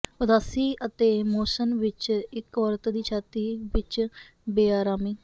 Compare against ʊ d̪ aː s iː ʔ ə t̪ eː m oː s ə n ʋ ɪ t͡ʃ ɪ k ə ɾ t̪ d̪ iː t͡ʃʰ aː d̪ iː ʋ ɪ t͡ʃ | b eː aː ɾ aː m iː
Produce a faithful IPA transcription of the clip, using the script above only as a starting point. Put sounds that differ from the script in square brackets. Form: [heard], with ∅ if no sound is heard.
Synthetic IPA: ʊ d̪ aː s iː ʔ ə t̪ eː m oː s ə n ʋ ɪ t͡ʃ ɪ k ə ɾ t̪ d̪ iː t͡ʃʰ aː [t̪] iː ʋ ɪ t͡ʃ | b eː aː ɾ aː m iː